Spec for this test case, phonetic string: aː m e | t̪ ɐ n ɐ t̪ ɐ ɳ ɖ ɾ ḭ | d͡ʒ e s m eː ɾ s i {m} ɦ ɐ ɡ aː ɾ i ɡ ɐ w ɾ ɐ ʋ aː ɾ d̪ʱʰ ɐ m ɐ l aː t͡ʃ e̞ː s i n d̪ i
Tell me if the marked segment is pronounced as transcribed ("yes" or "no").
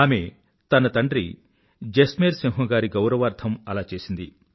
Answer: no